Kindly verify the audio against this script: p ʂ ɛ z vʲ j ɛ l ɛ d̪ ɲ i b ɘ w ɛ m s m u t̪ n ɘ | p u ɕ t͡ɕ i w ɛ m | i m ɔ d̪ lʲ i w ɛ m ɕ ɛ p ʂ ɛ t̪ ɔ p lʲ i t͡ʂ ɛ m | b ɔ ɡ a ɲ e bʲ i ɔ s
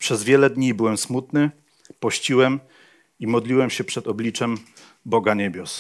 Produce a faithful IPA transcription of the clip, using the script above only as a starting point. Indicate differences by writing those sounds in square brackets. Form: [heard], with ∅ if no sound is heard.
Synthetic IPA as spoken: p ʂ ɛ z vʲ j ɛ l ɛ d̪ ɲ i b ɘ w ɛ m s m u t̪ n ɘ | p [ɔ] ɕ t͡ɕ i w ɛ m | i m ɔ d̪ lʲ i w ɛ m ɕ ɛ p ʂ ɛ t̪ ɔ [b] lʲ i t͡ʂ ɛ m | b ɔ ɡ a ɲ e bʲ [j] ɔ s